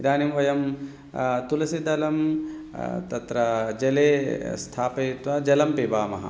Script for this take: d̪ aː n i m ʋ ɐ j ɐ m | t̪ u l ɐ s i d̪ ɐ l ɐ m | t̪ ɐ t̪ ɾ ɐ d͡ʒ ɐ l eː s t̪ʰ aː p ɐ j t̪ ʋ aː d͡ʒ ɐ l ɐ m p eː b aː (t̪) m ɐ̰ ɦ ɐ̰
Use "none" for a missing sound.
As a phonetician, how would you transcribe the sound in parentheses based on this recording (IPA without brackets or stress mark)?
none